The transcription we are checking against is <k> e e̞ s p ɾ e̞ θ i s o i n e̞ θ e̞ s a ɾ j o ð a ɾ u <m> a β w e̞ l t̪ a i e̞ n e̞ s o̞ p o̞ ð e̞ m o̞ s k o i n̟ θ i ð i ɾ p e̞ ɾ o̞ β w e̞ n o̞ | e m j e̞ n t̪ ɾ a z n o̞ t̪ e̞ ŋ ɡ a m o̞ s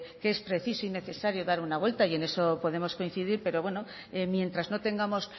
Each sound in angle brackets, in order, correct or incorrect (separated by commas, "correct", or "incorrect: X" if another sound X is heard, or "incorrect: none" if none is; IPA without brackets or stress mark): correct, incorrect: n